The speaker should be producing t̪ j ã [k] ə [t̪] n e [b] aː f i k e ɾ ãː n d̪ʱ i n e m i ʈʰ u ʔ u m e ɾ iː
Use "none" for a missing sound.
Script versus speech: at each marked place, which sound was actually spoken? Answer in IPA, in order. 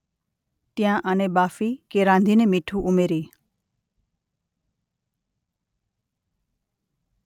ʔ, none, b

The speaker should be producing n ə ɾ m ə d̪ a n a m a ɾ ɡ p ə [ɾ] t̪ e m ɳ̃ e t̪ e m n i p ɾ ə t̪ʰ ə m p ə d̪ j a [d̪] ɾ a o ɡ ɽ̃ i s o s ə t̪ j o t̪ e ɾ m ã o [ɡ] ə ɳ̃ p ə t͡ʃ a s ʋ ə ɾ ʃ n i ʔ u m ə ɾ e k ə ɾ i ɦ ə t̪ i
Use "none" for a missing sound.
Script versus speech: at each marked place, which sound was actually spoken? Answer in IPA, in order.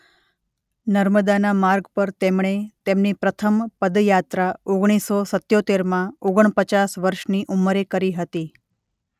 ɾ, t̪, ɡ

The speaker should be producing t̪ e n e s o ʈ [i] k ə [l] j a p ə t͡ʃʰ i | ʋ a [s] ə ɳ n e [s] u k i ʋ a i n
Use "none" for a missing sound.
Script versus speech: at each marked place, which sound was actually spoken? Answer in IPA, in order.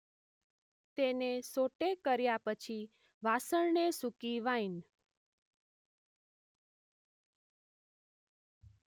e, ɾ, s, s

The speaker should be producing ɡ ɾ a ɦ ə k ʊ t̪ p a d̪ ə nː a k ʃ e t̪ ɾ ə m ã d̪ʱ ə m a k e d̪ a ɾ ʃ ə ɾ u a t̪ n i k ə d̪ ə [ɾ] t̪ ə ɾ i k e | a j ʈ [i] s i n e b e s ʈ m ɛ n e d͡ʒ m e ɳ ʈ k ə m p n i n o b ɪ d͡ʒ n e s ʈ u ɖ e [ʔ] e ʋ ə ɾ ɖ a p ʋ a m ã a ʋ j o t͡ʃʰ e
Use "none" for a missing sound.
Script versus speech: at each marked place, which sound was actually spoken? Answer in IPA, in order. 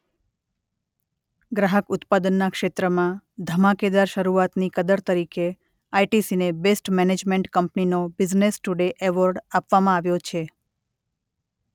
ɾ, i, ʔ

